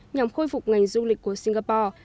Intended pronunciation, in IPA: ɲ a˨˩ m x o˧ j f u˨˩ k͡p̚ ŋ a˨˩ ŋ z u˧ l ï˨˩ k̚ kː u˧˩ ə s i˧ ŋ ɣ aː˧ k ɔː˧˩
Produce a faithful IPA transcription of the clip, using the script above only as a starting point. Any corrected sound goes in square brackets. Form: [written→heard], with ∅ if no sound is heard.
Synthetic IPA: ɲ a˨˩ m x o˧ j f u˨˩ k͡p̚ ŋ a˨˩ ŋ z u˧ l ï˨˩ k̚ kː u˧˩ ə s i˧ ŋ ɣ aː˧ [k→p] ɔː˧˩

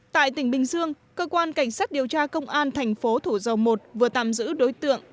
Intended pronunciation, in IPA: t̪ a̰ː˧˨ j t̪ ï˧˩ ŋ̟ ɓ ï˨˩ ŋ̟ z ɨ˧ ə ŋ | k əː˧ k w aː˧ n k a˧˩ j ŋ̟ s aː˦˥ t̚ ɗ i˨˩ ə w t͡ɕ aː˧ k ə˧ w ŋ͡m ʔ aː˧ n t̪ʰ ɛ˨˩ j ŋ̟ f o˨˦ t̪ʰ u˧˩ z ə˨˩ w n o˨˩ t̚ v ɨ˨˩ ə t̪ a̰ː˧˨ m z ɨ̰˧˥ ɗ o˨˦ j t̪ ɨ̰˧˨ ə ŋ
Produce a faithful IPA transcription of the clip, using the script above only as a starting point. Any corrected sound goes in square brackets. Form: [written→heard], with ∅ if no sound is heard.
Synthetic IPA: t̪ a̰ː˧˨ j t̪ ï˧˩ ŋ̟ ɓ ï˨˩ ŋ̟ z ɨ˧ ə ŋ | k əː˧ k w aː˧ n k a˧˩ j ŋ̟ s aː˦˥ t̚ ɗ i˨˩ ə w t͡ɕ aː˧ k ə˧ w ŋ͡m ʔ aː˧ n t̪ʰ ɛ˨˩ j ŋ̟ f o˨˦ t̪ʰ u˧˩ z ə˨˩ w [n→m] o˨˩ t̚ v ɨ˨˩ ə t̪ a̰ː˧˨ m z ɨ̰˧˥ ɗ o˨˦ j t̪ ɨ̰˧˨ ə ŋ

